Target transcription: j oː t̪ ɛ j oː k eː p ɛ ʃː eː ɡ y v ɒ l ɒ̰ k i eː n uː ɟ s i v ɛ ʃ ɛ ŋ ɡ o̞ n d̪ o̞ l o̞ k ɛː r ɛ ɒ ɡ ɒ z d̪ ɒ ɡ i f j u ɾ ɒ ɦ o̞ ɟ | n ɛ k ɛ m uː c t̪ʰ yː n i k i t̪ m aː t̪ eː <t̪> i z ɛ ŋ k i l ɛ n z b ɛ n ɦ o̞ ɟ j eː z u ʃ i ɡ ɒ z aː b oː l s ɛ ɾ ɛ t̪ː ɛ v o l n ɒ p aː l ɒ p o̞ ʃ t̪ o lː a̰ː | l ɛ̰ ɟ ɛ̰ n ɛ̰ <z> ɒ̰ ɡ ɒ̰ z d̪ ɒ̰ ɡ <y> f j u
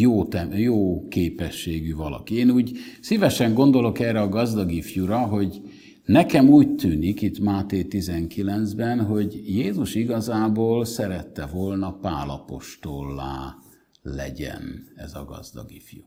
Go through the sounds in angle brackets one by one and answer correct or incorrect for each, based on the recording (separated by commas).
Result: correct, correct, incorrect